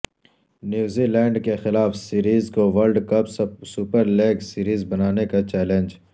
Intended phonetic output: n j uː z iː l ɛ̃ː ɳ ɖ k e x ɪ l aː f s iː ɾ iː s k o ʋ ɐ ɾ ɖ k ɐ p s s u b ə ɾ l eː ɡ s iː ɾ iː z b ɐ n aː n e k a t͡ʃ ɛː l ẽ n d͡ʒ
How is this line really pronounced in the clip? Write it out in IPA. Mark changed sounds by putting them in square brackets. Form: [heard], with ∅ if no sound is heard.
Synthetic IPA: n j uː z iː l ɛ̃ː ɳ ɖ k e x ɪ l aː f s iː ɾ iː [z] k o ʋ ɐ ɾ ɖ k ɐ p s s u [p] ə ɾ l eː ɡ s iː ɾ iː z b ɐ n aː n e k a t͡ʃ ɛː l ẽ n d͡ʒ